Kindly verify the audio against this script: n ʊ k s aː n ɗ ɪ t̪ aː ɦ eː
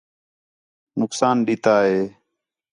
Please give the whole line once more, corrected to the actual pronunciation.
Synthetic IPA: n ʊ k s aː n ɗ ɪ t̪ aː ɦ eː